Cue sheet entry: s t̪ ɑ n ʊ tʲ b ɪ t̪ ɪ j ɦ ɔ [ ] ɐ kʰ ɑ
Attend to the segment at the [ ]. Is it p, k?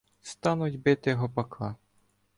p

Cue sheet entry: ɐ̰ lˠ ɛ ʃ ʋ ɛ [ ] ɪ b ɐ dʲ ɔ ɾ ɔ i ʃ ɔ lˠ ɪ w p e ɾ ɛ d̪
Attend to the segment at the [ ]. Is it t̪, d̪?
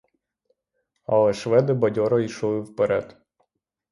d̪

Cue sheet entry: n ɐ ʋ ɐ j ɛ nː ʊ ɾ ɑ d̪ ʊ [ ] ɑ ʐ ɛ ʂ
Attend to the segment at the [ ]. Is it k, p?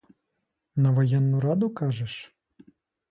k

